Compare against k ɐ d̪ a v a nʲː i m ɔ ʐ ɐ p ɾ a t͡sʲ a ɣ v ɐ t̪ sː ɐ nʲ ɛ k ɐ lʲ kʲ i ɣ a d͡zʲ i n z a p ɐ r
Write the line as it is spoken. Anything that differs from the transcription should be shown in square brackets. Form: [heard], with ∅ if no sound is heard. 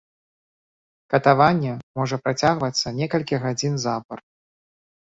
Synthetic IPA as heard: k ɐ [t̪] a v a nʲː [ɛ] m ɔ ʐ ɐ p ɾ a t͡sʲ a ɣ v ɐ t̪ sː ɐ nʲ ɛ k ɐ lʲ kʲ i ɣ a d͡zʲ i n z a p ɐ r